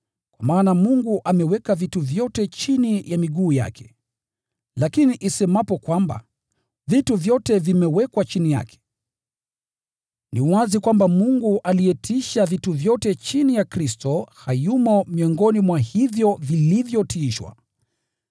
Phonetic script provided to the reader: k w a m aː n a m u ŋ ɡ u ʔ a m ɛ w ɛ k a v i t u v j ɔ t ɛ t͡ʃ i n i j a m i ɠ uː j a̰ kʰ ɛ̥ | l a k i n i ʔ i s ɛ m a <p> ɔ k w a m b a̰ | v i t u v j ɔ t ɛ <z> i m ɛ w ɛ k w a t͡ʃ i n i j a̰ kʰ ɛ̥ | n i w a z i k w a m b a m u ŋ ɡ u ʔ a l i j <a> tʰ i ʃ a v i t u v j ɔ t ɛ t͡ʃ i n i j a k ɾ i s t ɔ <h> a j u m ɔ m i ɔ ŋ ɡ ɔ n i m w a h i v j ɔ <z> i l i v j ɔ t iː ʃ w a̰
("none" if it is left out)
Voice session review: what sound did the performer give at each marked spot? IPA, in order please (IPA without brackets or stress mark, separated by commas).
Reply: p, v, ɛ, h, v